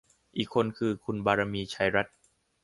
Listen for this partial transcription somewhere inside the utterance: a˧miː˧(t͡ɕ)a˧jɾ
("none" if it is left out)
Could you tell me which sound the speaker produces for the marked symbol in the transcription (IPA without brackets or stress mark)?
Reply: t͡ɕʰ